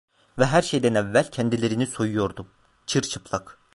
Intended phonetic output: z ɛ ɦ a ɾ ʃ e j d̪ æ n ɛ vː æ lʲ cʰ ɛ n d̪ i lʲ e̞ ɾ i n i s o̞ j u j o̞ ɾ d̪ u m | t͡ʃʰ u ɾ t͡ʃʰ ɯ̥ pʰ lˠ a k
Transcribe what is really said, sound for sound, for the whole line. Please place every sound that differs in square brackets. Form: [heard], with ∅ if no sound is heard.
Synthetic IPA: [v] ɛ ɦ [æ] ɾ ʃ e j d̪ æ n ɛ vː æ lʲ cʰ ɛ n d̪ i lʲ e̞ ɾ i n i s o̞ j u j o̞ ɾ d̪ u m | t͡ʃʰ [ɯ] ɾ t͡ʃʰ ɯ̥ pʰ lˠ a k

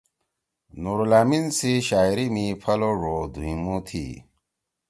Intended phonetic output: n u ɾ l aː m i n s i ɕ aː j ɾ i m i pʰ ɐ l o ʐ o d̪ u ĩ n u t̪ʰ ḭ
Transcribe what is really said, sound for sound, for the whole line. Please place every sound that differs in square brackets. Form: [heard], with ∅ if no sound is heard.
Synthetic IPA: n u ɾ l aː m i n s i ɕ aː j ɾ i m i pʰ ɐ l o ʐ o d̪ u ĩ [m] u t̪ʰ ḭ

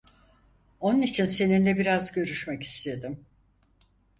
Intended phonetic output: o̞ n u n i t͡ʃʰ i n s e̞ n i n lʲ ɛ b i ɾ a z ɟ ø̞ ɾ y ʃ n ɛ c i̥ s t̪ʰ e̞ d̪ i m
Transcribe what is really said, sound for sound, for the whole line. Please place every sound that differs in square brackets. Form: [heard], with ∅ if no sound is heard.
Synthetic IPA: o̞ n u n i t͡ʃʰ i n s e̞ n i n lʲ ɛ b i ɾ a z ɟ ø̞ ɾ y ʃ [m] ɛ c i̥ s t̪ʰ e̞ d̪ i m

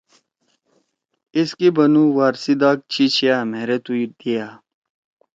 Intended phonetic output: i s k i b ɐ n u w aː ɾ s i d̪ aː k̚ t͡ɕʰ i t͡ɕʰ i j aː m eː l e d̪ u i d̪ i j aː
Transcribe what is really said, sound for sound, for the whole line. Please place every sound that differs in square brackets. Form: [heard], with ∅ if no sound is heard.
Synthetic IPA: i s k i b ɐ n u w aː ɾ s i d̪ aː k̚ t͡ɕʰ i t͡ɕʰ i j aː m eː [ɾ] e [t̪] u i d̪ i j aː

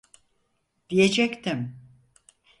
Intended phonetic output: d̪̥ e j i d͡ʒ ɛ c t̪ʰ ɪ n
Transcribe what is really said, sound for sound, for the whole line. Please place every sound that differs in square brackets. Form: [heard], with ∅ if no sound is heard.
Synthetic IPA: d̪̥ [i] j [e] d͡ʒ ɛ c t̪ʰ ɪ [m]

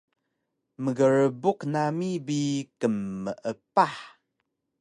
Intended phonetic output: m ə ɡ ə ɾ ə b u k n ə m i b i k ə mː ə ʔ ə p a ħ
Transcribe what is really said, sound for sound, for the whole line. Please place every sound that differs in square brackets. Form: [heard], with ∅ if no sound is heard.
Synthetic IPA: m ə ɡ ə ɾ ə b u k n [a] m i b i k ə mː ə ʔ ə p a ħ

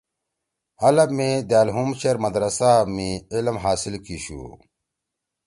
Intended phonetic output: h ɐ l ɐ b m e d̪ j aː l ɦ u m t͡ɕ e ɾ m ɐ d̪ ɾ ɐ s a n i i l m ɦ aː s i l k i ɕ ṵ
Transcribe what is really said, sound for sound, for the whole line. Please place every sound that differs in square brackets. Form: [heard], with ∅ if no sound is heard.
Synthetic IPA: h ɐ l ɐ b m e d̪ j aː l ɦ u m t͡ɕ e ɾ m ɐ d̪ ɾ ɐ s a [m] i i l m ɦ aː s i l k i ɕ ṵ

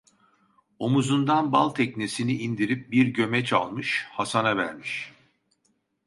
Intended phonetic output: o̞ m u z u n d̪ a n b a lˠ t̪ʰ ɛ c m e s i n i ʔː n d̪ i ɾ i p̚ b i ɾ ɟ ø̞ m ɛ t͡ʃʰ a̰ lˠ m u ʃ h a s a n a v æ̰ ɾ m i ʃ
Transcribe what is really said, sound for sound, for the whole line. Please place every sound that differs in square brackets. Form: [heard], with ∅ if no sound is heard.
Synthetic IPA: o̞ m u z u n d̪ a n b a lˠ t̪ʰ ɛ c [n] e s i n i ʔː n d̪ i ɾ i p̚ b i ɾ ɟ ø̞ m ɛ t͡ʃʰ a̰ lˠ m [ɯ] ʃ h a s a n a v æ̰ ɾ m i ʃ

